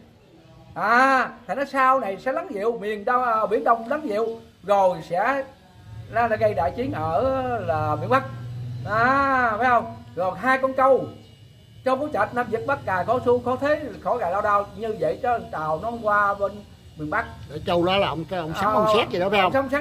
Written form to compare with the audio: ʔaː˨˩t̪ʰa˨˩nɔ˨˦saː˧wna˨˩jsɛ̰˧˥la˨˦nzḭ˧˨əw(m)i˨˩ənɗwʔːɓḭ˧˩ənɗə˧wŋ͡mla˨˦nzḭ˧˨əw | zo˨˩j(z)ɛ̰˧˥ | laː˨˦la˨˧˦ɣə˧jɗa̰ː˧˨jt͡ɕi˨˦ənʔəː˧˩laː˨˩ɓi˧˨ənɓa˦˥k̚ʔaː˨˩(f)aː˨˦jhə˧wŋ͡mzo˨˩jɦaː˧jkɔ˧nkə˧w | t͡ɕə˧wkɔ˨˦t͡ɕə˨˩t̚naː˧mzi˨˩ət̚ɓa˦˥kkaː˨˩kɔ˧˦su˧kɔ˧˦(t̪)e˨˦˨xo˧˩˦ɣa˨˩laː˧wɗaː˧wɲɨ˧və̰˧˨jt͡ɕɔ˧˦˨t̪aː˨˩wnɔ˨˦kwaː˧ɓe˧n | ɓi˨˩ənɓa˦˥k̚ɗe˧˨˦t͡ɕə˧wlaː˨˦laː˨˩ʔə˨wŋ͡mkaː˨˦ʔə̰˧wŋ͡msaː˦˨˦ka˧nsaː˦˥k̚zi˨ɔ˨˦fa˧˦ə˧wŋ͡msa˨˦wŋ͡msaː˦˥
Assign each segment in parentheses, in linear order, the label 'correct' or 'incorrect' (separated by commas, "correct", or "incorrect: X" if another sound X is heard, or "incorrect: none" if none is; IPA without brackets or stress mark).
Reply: correct, incorrect: s, correct, incorrect: t̪ʰ